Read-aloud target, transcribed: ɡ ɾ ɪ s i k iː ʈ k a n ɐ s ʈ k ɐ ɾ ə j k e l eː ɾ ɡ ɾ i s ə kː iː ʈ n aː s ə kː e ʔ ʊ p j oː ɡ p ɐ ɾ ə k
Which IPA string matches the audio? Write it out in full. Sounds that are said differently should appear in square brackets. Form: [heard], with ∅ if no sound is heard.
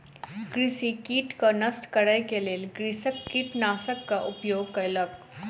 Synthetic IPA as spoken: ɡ ɾ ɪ s i k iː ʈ k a n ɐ s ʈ k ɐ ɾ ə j k e l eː [l] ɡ ɾ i s ə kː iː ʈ n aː s ə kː [a] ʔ ʊ p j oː ɡ [k] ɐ [l] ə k